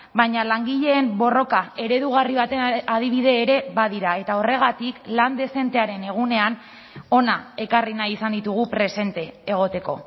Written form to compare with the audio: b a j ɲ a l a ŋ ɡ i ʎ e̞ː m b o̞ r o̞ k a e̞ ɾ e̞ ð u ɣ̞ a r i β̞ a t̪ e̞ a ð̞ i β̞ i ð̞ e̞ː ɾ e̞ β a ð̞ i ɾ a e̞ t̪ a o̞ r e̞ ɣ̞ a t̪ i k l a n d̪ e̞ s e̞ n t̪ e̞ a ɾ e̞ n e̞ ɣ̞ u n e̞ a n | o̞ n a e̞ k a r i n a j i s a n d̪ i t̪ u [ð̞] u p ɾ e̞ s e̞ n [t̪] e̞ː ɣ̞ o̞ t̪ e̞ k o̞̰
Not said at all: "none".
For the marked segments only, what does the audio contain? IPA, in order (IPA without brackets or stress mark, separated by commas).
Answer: ɣ̞, t̪